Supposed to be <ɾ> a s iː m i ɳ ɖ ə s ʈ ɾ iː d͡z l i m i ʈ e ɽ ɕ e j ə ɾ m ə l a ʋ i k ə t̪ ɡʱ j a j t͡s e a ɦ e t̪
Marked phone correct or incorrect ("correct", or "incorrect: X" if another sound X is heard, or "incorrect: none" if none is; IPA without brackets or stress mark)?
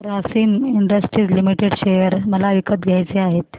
correct